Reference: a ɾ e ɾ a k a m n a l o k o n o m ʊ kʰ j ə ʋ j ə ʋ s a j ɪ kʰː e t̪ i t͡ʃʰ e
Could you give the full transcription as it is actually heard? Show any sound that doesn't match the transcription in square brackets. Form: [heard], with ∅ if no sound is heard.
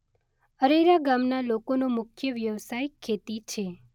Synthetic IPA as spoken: [ə] ɾ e ɾ a [ɡ] a m n a l o k o n o m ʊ kʰ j ə ʋ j ə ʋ s a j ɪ kʰː e t̪ i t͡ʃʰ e